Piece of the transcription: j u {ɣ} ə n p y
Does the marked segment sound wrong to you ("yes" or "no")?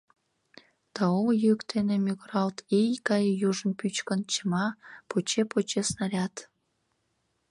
yes